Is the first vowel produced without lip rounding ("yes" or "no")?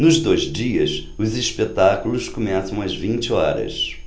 no